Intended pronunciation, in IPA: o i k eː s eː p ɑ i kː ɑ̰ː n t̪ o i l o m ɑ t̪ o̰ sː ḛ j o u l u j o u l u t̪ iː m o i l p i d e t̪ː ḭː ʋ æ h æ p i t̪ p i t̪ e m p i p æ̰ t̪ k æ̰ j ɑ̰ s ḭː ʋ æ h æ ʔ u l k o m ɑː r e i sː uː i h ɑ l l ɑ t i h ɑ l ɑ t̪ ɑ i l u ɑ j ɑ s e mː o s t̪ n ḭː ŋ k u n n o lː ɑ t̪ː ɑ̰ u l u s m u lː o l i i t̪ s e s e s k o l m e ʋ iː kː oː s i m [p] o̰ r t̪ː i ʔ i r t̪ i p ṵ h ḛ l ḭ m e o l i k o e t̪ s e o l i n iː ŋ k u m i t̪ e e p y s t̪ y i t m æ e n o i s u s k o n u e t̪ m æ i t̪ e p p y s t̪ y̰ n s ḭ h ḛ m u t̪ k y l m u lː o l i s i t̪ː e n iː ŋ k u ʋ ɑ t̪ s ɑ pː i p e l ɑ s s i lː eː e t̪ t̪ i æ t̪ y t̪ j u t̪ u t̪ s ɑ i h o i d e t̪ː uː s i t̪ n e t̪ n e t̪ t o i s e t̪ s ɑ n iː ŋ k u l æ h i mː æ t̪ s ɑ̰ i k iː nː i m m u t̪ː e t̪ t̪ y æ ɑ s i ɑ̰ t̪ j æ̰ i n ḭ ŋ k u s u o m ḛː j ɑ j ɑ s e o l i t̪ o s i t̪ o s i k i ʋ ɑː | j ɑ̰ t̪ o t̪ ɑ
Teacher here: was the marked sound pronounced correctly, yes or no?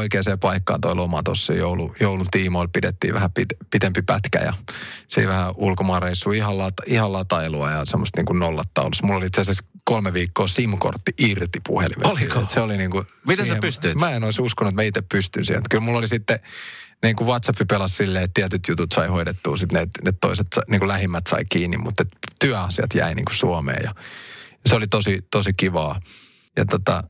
no